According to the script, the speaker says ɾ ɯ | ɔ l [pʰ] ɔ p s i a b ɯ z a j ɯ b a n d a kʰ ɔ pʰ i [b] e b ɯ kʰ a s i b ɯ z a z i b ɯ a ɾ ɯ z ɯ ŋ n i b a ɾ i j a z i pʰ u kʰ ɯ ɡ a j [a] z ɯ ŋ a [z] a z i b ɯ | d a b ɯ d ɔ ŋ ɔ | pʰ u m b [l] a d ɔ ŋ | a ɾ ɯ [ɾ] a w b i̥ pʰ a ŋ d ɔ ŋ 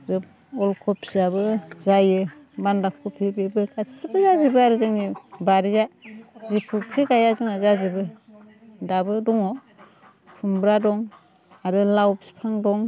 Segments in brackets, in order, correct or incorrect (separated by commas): incorrect, correct, correct, correct, incorrect, incorrect